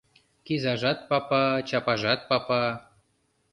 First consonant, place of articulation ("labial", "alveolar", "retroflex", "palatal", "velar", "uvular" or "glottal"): velar